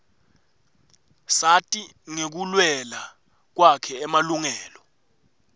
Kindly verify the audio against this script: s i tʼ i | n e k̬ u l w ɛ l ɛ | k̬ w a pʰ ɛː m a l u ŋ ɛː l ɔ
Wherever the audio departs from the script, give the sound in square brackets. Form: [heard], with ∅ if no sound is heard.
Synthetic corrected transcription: s [a] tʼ i | [ŋ] e k̬ u l w ɛ l [a] | k̬ w a [kʰ] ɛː m a l u ŋ ɛː l ɔ